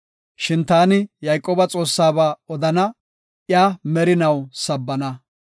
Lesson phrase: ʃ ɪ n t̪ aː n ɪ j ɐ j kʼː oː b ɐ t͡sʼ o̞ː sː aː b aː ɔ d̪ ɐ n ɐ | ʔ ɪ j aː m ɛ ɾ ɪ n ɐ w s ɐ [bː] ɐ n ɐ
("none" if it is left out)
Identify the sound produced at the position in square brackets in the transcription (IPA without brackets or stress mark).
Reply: bː